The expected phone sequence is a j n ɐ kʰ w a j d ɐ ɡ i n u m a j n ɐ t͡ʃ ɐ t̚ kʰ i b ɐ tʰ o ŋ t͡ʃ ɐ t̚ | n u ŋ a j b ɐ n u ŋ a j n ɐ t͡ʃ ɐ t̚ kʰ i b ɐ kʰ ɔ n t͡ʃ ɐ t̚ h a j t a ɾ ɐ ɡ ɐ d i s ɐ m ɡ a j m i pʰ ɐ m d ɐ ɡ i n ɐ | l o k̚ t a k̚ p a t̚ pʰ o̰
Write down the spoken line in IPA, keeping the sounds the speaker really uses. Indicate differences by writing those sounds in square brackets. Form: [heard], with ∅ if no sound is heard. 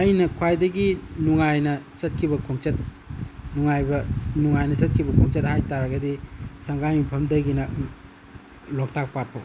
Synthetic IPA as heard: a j n ɐ kʰ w a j d ɐ ɡ i n u [ŋ] a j n ɐ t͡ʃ ɐ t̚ kʰ i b ɐ [kʰ] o ŋ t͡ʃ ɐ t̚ | n u ŋ a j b ɐ n u ŋ a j n ɐ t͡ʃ ɐ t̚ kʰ i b ɐ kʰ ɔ [ŋ] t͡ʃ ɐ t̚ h a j t a ɾ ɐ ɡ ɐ d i s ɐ [ŋ] ɡ a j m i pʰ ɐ m d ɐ ɡ i n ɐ | l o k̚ t a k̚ p a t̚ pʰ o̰